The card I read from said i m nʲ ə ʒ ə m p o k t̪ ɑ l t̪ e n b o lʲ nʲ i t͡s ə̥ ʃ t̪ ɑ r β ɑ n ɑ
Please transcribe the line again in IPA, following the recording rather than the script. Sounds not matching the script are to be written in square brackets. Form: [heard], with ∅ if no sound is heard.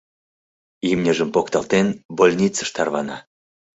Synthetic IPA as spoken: i m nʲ ə ʒ ə m p o k t̪ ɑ l t̪ e n b o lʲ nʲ i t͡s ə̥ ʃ t̪ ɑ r β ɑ n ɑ